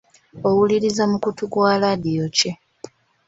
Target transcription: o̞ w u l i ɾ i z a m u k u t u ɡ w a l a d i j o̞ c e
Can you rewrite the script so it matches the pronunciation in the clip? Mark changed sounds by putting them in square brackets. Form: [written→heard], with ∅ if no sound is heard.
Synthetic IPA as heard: o̞ w u l i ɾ i z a m u k u t u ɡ w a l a d i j o̞ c e